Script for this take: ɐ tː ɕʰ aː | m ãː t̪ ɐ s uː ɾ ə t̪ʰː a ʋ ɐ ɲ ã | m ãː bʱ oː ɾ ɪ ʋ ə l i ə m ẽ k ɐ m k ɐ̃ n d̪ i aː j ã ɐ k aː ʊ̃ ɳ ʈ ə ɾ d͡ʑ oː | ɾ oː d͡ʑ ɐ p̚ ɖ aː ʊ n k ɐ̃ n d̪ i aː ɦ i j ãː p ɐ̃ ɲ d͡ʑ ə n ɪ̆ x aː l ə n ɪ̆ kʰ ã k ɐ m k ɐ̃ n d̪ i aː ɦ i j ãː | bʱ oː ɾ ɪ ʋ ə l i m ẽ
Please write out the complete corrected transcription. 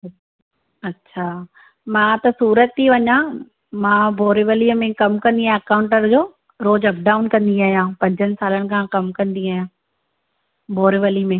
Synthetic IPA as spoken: ɐ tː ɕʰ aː | m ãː t̪ ɐ s uː ɾ ə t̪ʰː i ʋ ɐ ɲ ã | m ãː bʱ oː ɾ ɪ ʋ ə l i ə m ẽ k ɐ m k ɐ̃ n d̪ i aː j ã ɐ k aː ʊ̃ ɳ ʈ ə ɾ d͡ʑ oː | ɾ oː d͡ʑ ɐ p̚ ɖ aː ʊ n k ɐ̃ n d̪ i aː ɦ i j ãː p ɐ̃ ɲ d͡ʑ ə n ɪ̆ s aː l ə n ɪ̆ kʰ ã k ɐ m k ɐ̃ n d̪ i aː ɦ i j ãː | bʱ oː ɾ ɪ ʋ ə l i m ẽ